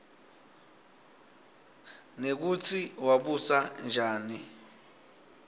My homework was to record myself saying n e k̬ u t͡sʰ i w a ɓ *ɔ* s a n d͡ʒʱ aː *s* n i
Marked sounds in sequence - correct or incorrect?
incorrect, incorrect

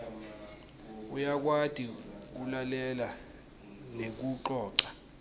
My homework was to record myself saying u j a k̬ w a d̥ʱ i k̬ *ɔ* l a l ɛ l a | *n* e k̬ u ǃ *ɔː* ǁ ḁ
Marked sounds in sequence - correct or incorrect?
incorrect, correct, correct

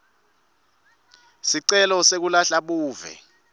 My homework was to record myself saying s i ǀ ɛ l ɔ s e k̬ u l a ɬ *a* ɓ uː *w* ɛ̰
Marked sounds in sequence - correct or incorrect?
correct, incorrect

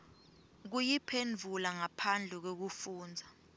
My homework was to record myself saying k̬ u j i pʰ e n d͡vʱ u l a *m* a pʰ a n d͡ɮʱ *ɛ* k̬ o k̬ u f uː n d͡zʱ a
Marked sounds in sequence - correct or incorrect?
incorrect, correct

